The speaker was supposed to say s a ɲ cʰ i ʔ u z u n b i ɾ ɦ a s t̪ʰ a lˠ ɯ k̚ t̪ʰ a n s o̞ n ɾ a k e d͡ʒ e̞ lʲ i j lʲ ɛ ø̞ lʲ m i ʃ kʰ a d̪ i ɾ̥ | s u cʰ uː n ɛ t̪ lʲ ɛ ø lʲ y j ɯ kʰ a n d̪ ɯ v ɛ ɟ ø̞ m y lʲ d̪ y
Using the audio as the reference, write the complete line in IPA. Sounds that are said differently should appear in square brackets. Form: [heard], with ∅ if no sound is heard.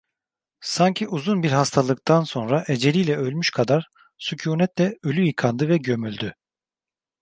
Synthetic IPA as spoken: s a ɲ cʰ i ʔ u z u n b i ɾ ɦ a s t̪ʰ a lˠ ɯ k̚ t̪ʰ a n s o̞ n ɾ a [ʔ] e d͡ʒ e̞ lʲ i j lʲ ɛ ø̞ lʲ m [y] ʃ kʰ a d̪ [a] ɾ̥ | s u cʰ uː n ɛ t̪ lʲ ɛ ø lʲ y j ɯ kʰ a n d̪ ɯ v ɛ ɟ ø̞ m y lʲ d̪ y

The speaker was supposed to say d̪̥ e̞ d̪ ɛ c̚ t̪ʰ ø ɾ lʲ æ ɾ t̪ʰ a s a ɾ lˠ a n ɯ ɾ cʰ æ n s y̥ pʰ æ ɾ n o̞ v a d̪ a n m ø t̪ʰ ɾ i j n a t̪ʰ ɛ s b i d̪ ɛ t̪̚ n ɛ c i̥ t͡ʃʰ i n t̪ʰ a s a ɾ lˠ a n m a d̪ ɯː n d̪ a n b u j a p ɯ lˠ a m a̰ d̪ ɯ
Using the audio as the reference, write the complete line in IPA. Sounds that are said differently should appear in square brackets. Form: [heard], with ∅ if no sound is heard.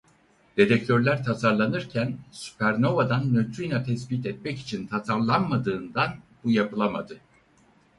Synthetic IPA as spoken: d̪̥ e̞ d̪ ɛ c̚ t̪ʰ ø ɾ lʲ æ ɾ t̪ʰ a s a ɾ lˠ a n ɯ ɾ cʰ æ n s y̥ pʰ æ ɾ n o̞ v a d̪ a n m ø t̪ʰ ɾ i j n a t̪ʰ ɛ s b i [t̪] ɛ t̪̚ [m] ɛ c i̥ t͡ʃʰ i n t̪ʰ a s a ɾ lˠ a n m a d̪ ɯː n d̪ a n b u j a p ɯ lˠ a m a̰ d̪ ɯ

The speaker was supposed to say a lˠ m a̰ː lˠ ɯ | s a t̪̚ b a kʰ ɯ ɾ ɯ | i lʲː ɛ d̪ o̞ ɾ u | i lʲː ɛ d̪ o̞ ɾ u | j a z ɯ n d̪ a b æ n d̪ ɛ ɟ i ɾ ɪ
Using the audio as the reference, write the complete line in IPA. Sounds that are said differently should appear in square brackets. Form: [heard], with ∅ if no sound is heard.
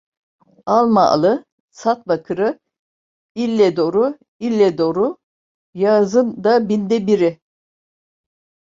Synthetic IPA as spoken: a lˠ m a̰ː lˠ ɯ | s a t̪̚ b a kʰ ɯ ɾ ɯ | i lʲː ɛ d̪ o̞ ɾ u | i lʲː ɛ d̪ o̞ ɾ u | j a z ɯ n d̪ a b [i] n d̪ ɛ [b] i ɾ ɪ

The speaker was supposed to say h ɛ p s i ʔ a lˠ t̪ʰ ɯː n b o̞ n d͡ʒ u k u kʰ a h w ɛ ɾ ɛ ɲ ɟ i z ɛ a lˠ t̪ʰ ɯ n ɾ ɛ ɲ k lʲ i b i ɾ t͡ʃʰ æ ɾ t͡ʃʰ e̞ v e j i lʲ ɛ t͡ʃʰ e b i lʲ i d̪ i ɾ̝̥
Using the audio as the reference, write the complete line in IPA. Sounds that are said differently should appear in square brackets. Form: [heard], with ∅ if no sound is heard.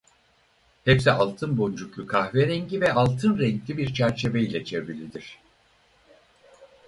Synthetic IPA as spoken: h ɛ p s i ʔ a lˠ t̪ʰ [ɯ] n b o̞ n d͡ʒ u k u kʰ a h [v] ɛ ɾ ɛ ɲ ɟ i [v] ɛ a lˠ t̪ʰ ɯ n ɾ ɛ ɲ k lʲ i b i ɾ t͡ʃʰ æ ɾ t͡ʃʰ e̞ v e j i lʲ ɛ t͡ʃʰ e [v] i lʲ i d̪ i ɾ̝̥

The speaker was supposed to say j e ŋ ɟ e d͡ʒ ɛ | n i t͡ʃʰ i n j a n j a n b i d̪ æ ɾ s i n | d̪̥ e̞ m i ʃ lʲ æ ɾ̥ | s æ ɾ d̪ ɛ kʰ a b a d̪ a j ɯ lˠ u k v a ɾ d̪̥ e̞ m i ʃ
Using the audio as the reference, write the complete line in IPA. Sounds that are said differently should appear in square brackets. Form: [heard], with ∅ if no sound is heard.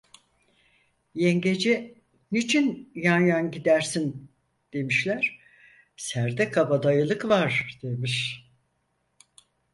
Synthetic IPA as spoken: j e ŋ ɟ e d͡ʒ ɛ | n i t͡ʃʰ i n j a n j a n [ɟ] i d̪ æ ɾ s i n | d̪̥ e̞ m i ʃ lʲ æ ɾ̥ | s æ ɾ d̪ ɛ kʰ a b a d̪ a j ɯ lˠ [ɯ] k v a ɾ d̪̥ e̞ m i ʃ

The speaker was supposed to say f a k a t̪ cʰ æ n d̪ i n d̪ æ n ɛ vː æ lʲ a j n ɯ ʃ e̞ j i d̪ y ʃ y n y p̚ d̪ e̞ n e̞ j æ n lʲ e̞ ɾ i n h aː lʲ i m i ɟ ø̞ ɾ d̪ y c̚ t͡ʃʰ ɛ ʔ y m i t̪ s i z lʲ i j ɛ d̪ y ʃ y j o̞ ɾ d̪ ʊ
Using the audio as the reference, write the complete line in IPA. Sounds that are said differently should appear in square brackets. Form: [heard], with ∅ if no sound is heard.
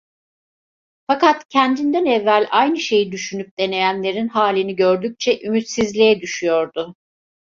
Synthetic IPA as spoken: f a k a t̪ cʰ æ n d̪ i n d̪ æ n ɛ vː æ lʲ a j n ɯ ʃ e̞ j i d̪ y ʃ y n y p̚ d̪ e̞ n e̞ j æ n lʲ e̞ ɾ i n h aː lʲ i [n] i ɟ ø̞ ɾ d̪ y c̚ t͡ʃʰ ɛ ʔ y m [y] t̪ s i z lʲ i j ɛ d̪ y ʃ y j o̞ ɾ d̪ ʊ

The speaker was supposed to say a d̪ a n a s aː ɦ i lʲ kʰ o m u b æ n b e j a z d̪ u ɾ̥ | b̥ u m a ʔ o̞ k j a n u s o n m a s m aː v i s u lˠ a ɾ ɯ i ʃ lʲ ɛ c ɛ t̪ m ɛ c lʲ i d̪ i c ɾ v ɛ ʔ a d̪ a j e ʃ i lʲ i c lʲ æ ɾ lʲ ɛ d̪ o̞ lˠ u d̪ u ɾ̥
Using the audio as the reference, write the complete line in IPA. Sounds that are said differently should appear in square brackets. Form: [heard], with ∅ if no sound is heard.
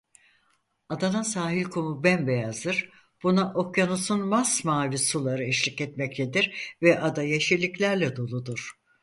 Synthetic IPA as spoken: a d̪ a n a s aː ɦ i lʲ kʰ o m u b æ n b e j a z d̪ [ɯ] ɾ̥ | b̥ u [n] a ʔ o̞ k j a n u s [u] n m a s m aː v i s u lˠ a ɾ ɯ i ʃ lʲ [i] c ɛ t̪ m ɛ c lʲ [e] d̪ i [∅] ɾ v ɛ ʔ a d̪ a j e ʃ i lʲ i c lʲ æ ɾ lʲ ɛ d̪ o̞ lˠ u d̪ u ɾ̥

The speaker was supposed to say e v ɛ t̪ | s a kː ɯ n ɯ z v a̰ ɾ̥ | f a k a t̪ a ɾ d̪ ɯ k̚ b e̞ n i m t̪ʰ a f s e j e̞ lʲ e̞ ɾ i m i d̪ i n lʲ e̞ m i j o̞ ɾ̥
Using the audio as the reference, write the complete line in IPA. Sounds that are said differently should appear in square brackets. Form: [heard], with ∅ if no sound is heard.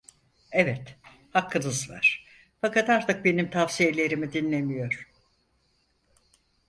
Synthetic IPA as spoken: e v ɛ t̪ | [h] a kː ɯ n ɯ z v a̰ ɾ̥ | f a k a t̪ a ɾ [t̪] ɯ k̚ b e̞ n i m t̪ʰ a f s [i] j e̞ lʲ e̞ ɾ i m i d̪ i n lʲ e̞ m i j o̞ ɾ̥

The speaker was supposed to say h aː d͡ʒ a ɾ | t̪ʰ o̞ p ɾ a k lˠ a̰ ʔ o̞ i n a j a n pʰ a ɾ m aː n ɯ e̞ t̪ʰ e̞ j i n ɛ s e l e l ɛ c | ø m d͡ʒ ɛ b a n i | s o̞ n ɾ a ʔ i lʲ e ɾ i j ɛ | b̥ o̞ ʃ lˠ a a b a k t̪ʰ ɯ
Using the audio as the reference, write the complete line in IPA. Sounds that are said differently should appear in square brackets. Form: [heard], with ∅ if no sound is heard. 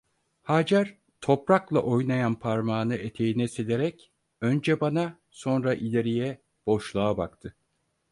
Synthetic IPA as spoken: h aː d͡ʒ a ɾ | t̪ʰ o̞ p ɾ a k lˠ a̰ ʔ o̞ [j] n a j a n pʰ a ɾ m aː n ɯ e̞ t̪ʰ e̞ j i n ɛ s e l e [ɾ] ɛ c | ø [n] d͡ʒ ɛ b a n [a] | s o̞ n ɾ a ʔ i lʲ e ɾ i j ɛ | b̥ o̞ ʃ lˠ a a b a k t̪ʰ ɯ

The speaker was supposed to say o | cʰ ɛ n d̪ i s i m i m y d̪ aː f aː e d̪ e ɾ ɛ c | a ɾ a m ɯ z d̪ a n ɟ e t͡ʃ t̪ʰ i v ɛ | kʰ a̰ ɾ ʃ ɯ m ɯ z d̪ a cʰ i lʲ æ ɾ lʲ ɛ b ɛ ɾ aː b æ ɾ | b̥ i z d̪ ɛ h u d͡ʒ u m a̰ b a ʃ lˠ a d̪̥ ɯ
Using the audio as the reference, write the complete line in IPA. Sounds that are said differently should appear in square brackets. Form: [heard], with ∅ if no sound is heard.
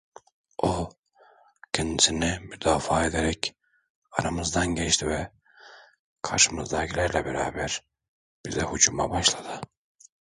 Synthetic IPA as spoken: o | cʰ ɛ n d̪ i s i [n] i m y d̪ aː f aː e d̪ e ɾ ɛ c | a ɾ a m ɯ z d̪ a n ɟ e t͡ʃ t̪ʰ i v ɛ | kʰ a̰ ɾ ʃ ɯ m ɯ z d̪ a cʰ i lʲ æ ɾ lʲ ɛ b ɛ ɾ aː b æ ɾ | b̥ i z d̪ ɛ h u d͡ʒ u m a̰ b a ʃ lˠ a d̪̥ ɯ

